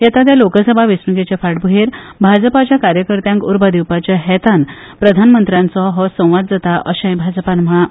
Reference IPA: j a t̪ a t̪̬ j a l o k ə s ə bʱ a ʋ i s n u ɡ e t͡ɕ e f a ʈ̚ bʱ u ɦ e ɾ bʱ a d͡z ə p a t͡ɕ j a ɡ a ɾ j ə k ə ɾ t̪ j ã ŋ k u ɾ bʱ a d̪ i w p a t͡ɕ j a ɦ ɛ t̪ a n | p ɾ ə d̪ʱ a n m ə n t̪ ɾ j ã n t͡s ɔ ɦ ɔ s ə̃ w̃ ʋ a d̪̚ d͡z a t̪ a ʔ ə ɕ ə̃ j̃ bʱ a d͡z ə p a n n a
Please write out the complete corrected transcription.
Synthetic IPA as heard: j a t̪ a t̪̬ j a l o k ə s ə bʱ a ʋ i s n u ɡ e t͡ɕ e f a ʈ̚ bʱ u ɦ e ɾ bʱ a d͡z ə p a t͡ɕ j a k a ɾ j ə k ə ɾ t̪ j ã ŋ k u ɾ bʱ a d̪ i w p a t͡ɕ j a ɦ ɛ t̪ a n | p ɾ ə d̪ʱ a n m ə n t̪ ɾ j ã n t͡s ɔ ɦ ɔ s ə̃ w̃ ʋ a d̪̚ d͡z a t̪ a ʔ ə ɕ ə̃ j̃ bʱ a d͡z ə p a n m a

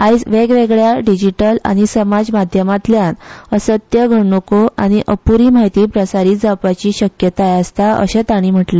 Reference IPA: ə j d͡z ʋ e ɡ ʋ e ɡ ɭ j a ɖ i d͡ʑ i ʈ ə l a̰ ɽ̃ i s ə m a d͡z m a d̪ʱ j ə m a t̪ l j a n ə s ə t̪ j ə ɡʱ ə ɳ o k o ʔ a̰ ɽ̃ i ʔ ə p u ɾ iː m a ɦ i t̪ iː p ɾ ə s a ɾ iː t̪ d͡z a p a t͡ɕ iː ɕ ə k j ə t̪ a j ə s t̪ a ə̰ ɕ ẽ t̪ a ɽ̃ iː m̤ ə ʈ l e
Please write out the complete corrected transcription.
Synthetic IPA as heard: a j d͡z ʋ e ɡ ʋ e ɡ ɭ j a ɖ i d͡ʑ i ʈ ə l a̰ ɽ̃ i s ə m a d͡z m a d̪ʱ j ə m a t̪ l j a n ə s ə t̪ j ə ɡʱ ə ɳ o k o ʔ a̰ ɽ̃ i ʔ ə p u ɾ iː m a ɦ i t̪ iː p ɾ ə s a ɾ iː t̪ d͡z a p a t͡ɕ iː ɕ ə k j ə t̪ a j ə s t̪ a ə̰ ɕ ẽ t̪ a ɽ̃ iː m̤ ə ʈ l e

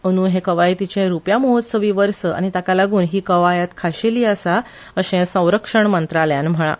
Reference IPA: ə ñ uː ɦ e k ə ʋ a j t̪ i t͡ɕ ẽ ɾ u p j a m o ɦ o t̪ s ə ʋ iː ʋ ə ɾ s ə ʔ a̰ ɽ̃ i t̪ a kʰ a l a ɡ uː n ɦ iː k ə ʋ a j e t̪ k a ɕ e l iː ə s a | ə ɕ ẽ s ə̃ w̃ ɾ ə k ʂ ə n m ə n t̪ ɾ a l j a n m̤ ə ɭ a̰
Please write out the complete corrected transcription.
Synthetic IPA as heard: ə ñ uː ɦ e k ə ʋ a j t̪ i t͡ɕ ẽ ɾ u p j a m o ɦ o t̪ s ə ʋ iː ʋ ə ɾ s ə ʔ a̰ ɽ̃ i t̪ a k a l a ɡ uː n ɦ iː k ə ʋ a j a t̪ kʰ a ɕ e l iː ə s a | ə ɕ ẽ s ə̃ w̃ ɾ ə k ʂ ə ɳ m ə n t̪ ɾ a l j a n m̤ ə ɭ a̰

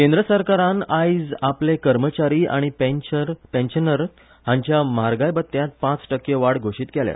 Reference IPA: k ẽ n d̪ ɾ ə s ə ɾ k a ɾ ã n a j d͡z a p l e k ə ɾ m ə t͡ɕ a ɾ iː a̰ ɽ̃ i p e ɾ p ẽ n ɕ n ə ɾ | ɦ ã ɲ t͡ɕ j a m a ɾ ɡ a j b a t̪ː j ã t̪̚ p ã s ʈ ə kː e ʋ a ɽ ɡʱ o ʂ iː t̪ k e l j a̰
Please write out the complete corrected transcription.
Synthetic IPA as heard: k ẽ n d̪ ɾ ə s ə ɾ k a ɾ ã n a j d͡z a p l e k ə ɾ m ə t͡ɕ a ɾ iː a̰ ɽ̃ i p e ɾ p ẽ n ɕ n ə ɾ | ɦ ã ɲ t͡ɕ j a m a ɾ ɡ a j b ə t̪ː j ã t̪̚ p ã t͡s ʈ ə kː e ʋ a ɽ ɡʱ o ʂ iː t̪ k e l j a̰

